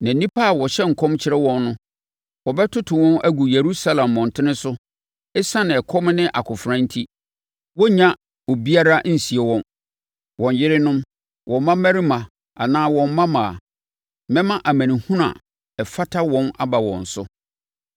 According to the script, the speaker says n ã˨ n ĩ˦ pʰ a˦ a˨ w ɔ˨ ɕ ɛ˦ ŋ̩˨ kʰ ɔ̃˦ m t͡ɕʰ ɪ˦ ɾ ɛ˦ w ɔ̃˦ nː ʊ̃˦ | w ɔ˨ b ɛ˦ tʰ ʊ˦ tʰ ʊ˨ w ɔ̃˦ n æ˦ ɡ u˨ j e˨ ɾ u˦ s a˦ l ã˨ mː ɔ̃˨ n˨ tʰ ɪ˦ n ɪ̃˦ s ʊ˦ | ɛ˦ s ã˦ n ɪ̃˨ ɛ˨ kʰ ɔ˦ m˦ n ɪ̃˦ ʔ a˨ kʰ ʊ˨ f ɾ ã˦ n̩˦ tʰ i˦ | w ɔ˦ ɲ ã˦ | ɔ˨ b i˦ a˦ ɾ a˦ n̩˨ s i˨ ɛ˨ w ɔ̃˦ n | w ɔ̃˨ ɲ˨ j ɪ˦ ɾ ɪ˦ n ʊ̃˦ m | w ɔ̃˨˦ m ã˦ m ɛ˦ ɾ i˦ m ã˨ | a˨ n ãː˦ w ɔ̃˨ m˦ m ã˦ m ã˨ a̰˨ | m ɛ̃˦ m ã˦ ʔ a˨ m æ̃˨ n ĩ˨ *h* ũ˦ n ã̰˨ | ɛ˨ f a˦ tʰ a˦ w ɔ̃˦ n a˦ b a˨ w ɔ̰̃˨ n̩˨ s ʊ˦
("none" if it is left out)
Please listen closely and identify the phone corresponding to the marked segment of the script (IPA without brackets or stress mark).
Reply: h